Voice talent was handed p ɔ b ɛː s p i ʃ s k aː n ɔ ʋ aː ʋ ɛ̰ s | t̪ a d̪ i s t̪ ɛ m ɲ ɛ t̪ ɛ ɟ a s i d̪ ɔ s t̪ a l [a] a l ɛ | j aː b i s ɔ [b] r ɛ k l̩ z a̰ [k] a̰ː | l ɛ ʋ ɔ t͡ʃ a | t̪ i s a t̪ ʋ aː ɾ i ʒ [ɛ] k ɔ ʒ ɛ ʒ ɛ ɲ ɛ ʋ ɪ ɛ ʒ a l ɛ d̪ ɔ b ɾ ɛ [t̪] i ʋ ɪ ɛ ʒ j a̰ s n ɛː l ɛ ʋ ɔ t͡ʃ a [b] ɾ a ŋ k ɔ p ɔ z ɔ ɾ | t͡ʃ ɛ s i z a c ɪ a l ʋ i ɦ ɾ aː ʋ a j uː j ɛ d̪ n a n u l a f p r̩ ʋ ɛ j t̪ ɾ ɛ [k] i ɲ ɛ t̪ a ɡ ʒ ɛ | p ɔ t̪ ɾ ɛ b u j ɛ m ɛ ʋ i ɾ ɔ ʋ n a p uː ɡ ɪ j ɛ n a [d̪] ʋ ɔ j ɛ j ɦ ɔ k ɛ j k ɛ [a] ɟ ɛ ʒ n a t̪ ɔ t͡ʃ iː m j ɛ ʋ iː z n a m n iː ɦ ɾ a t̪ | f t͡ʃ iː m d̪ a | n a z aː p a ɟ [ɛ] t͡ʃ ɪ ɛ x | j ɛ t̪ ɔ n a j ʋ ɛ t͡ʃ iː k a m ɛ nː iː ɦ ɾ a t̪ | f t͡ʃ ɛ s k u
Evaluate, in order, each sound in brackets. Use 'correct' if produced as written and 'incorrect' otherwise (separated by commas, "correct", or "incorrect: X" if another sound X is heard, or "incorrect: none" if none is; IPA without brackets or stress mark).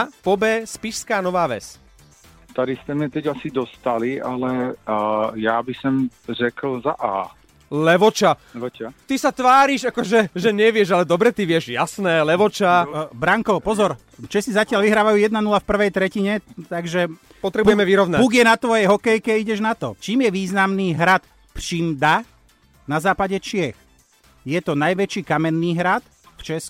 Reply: incorrect: i, incorrect: m, incorrect: ʔ, incorrect: a, correct, correct, incorrect: c, incorrect: t̪, incorrect: i, correct